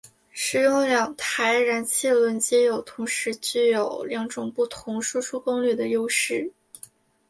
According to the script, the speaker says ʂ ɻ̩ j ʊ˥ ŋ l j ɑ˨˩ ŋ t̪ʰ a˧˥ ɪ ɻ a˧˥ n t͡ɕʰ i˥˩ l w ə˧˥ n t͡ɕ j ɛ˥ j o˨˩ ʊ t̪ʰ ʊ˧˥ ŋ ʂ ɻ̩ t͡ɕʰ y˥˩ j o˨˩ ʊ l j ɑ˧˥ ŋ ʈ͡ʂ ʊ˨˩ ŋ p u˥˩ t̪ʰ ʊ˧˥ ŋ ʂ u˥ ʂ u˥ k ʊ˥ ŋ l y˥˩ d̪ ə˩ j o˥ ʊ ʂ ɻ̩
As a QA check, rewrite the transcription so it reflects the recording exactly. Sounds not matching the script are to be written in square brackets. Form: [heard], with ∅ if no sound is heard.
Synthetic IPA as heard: ʂ ɻ̩ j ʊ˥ ŋ l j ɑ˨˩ ŋ t̪ʰ a˧˥ ɪ ɻ a˧˥ n t͡ɕʰ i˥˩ l w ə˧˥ n t͡ɕ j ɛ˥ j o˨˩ ʊ t̪ʰ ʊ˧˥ ŋ ʂ ɻ̩ [t͡ɕ] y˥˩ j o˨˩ ʊ l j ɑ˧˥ ŋ ʈ͡ʂ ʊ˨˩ ŋ p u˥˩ t̪ʰ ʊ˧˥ ŋ ʂ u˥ ʂ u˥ k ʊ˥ ŋ l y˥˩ d̪ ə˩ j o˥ ʊ ʂ ɻ̩